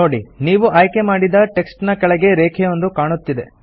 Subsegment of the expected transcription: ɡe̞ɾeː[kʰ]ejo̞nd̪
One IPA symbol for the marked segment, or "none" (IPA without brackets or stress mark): kʰ